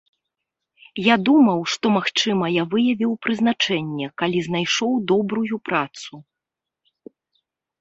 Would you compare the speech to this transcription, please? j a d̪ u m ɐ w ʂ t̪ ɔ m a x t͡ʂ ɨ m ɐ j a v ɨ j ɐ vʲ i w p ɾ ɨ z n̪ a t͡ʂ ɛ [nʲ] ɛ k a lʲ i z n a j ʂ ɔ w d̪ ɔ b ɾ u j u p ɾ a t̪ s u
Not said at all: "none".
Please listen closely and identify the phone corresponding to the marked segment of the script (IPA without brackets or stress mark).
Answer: nʲː